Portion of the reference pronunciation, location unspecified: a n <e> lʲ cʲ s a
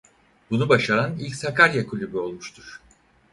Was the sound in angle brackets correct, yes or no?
no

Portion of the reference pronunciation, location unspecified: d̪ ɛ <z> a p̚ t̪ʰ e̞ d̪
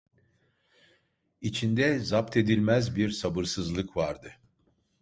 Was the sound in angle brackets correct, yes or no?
yes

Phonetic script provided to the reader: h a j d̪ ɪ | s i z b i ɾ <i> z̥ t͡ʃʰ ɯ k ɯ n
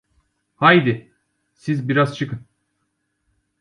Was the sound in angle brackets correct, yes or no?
no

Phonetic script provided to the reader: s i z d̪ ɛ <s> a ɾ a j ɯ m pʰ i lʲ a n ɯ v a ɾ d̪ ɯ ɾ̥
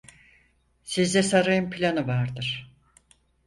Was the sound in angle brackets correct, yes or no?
yes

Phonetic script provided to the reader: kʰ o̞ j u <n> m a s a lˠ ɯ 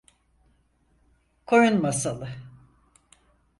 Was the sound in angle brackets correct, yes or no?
yes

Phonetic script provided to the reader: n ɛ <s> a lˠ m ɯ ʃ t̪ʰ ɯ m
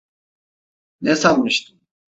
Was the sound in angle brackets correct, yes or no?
yes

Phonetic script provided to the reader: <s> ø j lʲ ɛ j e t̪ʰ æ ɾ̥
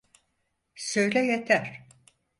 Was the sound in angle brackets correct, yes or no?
yes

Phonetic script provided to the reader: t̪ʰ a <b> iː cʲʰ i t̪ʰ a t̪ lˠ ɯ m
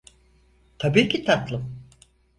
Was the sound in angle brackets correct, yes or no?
yes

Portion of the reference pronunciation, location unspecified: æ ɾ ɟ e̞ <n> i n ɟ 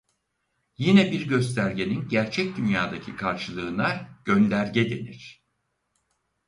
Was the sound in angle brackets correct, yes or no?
yes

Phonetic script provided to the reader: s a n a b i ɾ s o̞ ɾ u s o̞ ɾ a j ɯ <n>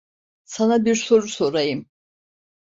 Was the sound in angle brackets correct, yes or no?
no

